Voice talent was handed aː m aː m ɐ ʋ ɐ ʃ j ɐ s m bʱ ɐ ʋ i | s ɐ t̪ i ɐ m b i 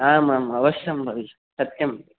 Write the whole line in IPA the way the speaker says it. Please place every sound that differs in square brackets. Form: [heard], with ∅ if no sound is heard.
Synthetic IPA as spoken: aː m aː m ɐ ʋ ɐ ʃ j ɐ [∅] m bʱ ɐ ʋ i | s ɐ t̪ [j] ɐ m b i

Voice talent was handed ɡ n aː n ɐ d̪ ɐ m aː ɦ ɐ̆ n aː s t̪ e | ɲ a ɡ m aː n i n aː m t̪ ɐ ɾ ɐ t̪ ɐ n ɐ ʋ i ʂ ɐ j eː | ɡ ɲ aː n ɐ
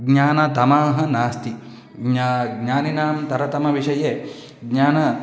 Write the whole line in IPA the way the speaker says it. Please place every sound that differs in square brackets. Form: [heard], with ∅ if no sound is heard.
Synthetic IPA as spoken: ɡ [ɲ] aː n ɐ [t̪] ɐ m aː ɦ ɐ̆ n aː s t̪ [i] | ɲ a ɡ [ɲ] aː n i n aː m t̪ ɐ ɾ ɐ t̪ ɐ [m] ɐ ʋ i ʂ ɐ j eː | ɡ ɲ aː n ɐ

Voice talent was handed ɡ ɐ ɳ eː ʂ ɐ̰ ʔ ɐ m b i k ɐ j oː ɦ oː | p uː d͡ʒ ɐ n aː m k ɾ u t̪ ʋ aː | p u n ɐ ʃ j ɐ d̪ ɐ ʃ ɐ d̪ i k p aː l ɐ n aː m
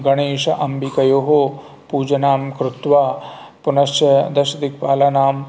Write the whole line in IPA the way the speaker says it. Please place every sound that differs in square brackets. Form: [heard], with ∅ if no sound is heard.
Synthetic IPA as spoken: ɡ ɐ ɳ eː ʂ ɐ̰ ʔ ɐ m b i k ɐ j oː ɦ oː | p uː d͡ʒ ɐ n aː m k ɾ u t̪ ʋ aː | p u n ɐ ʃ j ɐ d̪ ɐ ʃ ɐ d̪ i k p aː l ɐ n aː m

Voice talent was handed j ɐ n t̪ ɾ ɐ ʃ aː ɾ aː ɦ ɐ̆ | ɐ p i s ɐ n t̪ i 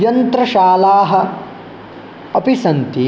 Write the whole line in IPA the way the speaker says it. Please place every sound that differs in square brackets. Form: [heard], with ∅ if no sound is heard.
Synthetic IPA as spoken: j ɐ n t̪ ɾ ɐ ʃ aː [l] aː ɦ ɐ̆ | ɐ p i s ɐ n t̪ i

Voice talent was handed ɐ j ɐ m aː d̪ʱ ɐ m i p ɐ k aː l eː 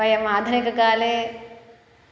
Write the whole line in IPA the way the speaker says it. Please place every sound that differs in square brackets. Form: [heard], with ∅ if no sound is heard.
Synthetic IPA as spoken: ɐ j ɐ m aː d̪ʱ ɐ [n] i [k] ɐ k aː l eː

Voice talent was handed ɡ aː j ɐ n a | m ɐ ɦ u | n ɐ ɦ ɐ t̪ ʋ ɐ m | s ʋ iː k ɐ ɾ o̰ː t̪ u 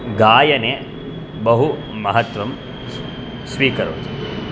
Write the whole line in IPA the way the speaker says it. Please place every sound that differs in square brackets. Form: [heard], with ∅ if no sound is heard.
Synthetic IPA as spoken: ɡ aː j ɐ n [e] | [b] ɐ ɦ u | [m] ɐ ɦ ɐ t̪ ʋ ɐ m | s ʋ iː k ɐ ɾ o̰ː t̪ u

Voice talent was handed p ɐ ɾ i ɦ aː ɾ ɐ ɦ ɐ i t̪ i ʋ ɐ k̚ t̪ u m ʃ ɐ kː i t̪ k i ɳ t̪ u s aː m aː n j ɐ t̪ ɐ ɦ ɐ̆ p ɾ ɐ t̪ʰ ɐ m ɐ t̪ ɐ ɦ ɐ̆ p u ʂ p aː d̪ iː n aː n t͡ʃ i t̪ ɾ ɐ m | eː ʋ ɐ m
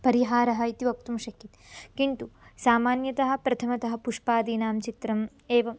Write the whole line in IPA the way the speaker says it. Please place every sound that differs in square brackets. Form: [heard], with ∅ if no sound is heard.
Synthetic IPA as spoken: p ɐ ɾ i ɦ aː ɾ ɐ ɦ ɐ i t̪ i ʋ ɐ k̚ t̪ u m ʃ ɐ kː i t̪ k i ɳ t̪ u s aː m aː n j ɐ t̪ ɐ ɦ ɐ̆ p ɾ ɐ t̪ʰ ɐ m ɐ t̪ ɐ ɦ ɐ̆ p u ʂ p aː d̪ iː n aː [m] t͡ʃ i t̪ ɾ ɐ m | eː ʋ ɐ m

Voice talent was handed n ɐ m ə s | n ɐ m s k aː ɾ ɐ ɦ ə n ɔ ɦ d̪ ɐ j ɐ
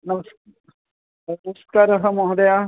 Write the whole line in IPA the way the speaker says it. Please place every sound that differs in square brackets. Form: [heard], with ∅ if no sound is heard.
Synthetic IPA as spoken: n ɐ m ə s | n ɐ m s k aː ɾ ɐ ɦ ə [m] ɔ ɦ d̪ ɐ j [a]

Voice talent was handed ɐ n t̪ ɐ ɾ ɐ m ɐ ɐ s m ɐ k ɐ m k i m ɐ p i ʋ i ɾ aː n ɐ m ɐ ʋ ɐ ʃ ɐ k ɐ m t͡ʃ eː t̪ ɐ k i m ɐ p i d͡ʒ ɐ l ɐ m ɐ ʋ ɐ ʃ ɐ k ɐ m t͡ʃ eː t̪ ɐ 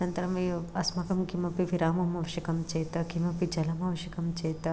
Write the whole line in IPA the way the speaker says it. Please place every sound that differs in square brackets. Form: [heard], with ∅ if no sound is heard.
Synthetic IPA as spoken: ɐ n t̪ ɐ ɾ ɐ m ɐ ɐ s m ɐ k ɐ m k i m ɐ p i ʋ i ɾ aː [m] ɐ m ɐ ʋ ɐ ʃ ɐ k ɐ m t͡ʃ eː t̪ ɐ k i m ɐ p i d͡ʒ ɐ l ɐ m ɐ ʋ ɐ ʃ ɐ k ɐ m t͡ʃ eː t̪ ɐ

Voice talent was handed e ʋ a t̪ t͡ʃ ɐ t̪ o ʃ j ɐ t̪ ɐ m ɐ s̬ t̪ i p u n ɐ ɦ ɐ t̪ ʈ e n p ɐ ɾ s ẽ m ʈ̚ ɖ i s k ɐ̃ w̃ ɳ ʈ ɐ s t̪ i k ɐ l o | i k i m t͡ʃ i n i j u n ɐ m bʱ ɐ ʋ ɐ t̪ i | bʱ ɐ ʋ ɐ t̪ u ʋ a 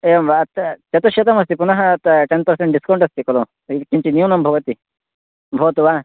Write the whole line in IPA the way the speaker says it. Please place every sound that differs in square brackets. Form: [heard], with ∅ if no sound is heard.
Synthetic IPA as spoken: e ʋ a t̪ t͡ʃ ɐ t̪ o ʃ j ɐ t̪ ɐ m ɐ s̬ t̪ i p u n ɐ ɦ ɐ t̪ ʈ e n p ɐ ɾ s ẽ [ɳ] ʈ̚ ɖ i s k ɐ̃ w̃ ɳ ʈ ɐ s t̪ i k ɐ l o | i k i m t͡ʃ i n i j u n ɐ m bʱ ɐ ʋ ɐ t̪ i | bʱ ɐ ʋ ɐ t̪ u ʋ a

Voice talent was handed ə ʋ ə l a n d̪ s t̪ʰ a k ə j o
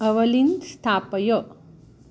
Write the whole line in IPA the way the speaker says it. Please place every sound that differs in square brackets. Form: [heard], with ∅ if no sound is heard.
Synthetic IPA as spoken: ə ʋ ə l [i] n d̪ s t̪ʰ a [p] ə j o

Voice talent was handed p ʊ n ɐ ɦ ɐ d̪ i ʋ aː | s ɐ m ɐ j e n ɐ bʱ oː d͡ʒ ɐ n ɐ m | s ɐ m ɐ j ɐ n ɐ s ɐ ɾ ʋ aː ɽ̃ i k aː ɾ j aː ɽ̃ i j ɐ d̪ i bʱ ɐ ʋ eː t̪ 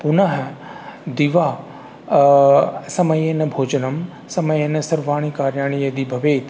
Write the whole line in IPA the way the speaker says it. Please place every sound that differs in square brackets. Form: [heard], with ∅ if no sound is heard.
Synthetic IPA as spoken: p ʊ n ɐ ɦ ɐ d̪ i ʋ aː | s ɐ m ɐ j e n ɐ bʱ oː d͡ʒ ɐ n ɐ m | s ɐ m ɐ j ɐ n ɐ s ɐ ɾ ʋ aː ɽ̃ i k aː ɾ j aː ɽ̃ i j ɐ d̪ i bʱ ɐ ʋ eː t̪

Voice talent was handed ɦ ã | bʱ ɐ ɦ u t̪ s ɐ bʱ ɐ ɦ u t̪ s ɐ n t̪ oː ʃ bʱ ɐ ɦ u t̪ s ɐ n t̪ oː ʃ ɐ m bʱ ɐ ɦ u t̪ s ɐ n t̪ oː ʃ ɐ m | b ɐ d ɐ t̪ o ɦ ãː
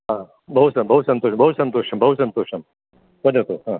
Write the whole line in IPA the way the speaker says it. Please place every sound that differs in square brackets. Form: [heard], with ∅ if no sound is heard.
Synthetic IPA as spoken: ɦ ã | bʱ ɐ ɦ u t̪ s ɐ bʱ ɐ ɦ u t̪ s ɐ n t̪ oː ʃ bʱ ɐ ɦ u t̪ s ɐ n t̪ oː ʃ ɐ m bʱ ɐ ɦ u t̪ s ɐ n t̪ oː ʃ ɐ m | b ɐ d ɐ t̪ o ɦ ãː

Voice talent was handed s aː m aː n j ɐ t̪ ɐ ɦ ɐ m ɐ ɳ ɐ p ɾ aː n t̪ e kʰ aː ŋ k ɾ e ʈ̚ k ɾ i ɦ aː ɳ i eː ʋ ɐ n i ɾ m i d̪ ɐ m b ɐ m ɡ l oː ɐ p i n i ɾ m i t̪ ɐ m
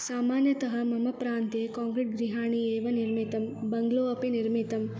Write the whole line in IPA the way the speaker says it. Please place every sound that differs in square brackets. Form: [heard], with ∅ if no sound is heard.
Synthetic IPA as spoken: s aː m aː n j ɐ t̪ ɐ ɦ ɐ m ɐ [m] ɐ p ɾ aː n t̪ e [k] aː ŋ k ɾ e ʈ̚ [ɡ] ɾ i ɦ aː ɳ i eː ʋ ɐ n i ɾ m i [t̪] ɐ m b ɐ [ŋ] ɡ l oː ɐ p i n i ɾ m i t̪ ɐ m

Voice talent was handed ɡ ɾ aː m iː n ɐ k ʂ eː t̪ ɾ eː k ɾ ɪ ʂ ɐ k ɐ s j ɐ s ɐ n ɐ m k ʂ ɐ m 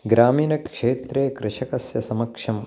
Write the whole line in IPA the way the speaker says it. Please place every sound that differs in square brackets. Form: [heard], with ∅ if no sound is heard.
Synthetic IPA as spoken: ɡ ɾ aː m iː n ɐ k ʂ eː t̪ ɾ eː k ɾ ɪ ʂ ɐ k ɐ s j ɐ s ɐ [m] ɐ [∅] k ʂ ɐ m

